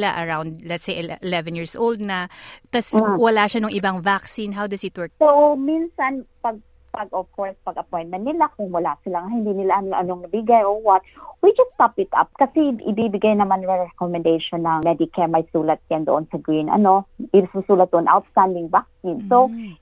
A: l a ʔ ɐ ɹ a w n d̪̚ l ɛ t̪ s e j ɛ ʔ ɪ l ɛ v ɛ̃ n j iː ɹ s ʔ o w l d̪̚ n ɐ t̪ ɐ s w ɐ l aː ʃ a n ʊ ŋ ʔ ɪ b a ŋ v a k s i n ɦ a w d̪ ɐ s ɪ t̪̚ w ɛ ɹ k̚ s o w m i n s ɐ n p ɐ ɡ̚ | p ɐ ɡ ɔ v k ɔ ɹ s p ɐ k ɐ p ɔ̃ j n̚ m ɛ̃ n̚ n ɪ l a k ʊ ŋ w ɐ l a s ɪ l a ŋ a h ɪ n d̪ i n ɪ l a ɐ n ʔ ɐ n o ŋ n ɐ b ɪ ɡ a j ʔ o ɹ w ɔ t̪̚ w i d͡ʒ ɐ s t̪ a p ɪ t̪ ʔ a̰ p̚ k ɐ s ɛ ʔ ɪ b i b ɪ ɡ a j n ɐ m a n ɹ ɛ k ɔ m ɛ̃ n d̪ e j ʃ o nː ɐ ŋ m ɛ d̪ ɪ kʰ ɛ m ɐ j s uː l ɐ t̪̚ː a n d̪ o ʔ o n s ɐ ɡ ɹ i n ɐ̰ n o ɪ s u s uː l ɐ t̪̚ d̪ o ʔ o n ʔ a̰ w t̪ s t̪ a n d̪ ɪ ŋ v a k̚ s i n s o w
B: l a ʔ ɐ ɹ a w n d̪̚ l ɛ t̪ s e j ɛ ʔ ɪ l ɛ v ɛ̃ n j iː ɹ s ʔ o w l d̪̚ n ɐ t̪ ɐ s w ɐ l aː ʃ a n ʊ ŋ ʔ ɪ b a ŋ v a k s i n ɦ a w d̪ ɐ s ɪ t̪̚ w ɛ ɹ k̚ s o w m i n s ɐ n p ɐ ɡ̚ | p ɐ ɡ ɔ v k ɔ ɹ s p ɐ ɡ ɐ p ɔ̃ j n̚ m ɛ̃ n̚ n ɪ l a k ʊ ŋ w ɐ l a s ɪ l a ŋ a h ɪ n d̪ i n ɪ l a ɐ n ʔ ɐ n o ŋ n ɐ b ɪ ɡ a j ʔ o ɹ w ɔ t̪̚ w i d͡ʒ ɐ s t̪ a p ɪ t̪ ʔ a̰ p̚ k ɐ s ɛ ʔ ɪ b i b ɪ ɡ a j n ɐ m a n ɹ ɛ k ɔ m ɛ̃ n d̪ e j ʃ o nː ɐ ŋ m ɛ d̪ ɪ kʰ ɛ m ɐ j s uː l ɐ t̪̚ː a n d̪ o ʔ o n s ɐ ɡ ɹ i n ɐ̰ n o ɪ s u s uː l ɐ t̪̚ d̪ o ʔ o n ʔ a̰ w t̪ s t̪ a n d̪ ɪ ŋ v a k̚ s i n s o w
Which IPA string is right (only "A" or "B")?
B